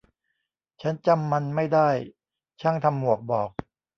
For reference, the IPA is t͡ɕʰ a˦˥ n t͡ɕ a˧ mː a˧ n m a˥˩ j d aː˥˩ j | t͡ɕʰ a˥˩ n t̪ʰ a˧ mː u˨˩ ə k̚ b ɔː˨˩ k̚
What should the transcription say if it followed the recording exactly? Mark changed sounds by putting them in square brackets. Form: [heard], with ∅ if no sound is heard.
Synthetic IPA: t͡ɕʰ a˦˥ n t͡ɕ a˧ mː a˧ n m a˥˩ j d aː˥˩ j | t͡ɕʰ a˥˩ [ŋ] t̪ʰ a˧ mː u˨˩ ə k̚ b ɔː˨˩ k̚